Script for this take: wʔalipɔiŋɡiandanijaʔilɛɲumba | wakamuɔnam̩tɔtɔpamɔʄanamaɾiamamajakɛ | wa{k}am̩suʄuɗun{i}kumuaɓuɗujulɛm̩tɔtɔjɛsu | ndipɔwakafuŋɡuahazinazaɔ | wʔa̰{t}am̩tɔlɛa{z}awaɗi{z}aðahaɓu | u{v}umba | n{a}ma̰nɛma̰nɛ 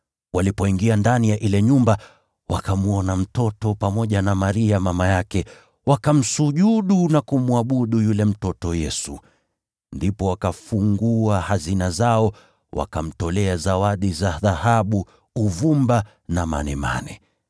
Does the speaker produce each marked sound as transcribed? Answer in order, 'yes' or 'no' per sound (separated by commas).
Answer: yes, no, no, yes, yes, yes, yes